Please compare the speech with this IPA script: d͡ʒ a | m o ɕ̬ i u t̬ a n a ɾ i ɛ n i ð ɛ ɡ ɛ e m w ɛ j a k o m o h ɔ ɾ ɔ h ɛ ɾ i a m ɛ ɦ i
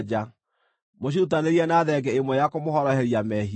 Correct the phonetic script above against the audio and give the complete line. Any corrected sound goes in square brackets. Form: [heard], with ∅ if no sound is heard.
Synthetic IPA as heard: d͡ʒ a | m o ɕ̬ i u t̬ a n [e] ɾ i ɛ n [a] ð ɛ ɡ ɛ e m w ɛ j a k o m o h ɔ ɾ ɔ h ɛ ɾ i a m ɛ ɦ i